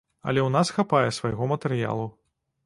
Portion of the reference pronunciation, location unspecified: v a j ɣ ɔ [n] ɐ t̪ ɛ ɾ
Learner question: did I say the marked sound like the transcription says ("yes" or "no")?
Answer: no